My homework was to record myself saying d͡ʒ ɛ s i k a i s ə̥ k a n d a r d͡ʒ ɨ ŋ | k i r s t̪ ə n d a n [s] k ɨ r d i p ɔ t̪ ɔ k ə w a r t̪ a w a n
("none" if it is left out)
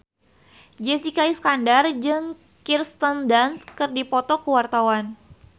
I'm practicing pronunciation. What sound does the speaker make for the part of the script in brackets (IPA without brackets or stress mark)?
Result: s